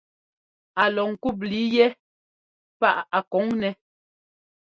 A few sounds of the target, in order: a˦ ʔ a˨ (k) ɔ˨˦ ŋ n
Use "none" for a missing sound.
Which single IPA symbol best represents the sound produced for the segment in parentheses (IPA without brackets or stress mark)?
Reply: k